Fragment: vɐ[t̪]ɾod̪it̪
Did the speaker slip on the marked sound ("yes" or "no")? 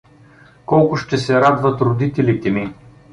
no